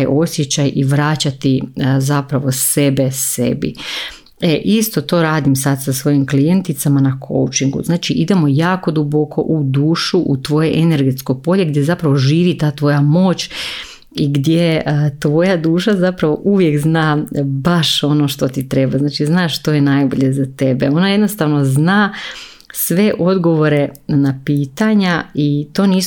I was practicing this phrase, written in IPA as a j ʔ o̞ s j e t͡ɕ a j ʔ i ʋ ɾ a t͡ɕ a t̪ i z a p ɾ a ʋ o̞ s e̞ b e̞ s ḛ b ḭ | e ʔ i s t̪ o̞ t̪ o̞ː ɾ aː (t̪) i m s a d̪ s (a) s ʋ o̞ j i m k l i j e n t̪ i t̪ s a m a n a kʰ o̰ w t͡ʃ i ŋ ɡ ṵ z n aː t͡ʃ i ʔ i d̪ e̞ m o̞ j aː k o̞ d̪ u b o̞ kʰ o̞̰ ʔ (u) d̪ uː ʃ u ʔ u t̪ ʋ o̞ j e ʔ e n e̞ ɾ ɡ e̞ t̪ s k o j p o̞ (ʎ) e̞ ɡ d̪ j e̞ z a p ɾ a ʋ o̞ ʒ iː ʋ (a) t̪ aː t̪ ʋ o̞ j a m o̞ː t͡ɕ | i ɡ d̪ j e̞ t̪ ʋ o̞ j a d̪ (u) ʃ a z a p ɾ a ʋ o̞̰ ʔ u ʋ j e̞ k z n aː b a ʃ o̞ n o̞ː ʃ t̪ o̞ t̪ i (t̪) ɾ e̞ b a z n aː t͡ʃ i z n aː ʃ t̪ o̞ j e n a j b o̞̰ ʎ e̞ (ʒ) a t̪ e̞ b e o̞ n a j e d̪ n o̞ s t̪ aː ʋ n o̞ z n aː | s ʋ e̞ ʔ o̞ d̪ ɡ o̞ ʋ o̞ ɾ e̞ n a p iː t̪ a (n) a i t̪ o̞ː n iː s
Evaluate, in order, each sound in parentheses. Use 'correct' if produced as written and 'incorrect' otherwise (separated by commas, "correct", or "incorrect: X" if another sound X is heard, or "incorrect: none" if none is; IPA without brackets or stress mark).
incorrect: d̪, correct, correct, correct, incorrect: i, incorrect: uː, correct, incorrect: z, incorrect: ɲ